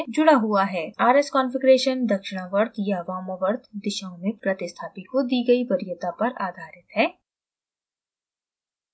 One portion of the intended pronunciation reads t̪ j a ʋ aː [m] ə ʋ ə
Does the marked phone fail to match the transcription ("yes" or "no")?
no